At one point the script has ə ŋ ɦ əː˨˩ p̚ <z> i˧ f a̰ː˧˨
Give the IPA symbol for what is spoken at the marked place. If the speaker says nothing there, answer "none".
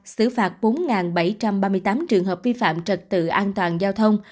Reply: v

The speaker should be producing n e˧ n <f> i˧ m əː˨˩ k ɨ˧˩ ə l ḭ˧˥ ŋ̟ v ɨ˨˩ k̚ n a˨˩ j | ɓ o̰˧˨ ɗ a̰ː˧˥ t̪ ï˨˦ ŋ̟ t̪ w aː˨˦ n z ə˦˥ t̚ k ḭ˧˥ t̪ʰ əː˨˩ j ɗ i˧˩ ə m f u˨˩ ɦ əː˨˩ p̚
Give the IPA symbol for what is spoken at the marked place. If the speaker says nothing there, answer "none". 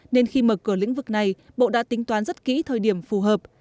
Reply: x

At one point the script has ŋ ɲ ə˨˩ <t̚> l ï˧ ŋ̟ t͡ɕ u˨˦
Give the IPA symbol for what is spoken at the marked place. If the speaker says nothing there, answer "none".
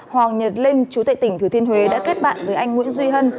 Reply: t̚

